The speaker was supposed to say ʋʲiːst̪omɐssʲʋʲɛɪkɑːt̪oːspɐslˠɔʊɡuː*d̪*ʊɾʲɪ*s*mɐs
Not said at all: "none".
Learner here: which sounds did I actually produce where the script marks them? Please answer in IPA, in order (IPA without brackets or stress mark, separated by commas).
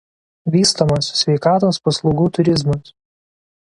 t̪, z